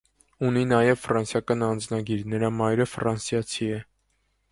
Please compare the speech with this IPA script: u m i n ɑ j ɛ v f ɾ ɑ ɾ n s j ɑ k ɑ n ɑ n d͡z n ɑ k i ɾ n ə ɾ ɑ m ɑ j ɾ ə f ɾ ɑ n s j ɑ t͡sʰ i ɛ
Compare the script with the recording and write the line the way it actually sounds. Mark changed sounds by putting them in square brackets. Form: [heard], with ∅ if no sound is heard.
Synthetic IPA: u [n] i n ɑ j ɛ v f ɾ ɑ [∅] n s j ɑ k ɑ n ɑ n d͡z n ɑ [ɡ] i ɾ n ə ɾ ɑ m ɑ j ɾ ə f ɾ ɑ n s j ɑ t͡sʰ i ɛ